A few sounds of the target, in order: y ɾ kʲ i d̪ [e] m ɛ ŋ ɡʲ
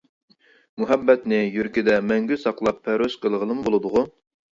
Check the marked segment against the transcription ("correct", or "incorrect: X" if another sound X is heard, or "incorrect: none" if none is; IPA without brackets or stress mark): incorrect: ɛ